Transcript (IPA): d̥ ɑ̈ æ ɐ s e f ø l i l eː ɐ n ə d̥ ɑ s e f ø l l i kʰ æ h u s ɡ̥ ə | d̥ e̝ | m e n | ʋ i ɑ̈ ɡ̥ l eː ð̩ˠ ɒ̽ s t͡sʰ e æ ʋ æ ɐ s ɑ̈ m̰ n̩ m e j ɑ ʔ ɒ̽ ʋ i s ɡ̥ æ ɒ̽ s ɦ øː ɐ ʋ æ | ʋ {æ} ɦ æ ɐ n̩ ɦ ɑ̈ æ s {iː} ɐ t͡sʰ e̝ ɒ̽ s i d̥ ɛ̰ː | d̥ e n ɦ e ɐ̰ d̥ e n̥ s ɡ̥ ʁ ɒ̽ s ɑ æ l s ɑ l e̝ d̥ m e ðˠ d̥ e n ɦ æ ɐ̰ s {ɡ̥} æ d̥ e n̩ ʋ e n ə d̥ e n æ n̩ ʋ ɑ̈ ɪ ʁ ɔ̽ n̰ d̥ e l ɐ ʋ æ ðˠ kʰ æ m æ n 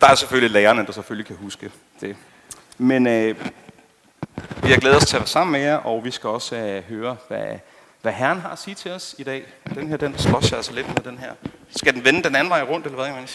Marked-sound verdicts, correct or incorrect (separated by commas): correct, correct, correct